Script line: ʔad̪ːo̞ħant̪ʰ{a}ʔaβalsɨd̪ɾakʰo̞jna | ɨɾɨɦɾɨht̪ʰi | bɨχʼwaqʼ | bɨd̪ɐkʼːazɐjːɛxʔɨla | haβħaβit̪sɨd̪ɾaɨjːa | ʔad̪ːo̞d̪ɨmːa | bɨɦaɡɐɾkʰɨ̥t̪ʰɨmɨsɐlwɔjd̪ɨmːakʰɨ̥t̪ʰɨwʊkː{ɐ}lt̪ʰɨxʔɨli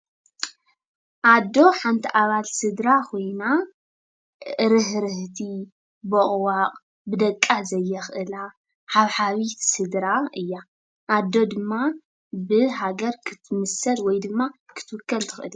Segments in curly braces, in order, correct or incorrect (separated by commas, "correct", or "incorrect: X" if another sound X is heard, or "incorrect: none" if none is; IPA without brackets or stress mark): incorrect: i, correct